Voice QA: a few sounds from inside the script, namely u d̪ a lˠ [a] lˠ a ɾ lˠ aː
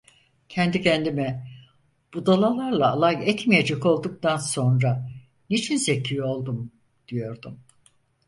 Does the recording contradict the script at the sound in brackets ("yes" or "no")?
no